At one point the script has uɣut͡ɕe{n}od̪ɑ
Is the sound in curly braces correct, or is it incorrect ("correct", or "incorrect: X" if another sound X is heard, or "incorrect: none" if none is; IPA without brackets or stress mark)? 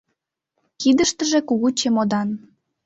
incorrect: m